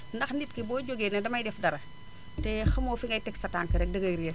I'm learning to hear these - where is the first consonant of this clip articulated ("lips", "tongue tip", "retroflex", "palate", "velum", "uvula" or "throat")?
tongue tip